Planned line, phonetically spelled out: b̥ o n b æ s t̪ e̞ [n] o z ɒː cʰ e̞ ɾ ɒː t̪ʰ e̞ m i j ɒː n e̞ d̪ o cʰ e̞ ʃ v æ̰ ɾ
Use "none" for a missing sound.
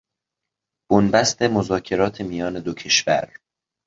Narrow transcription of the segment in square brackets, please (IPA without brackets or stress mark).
m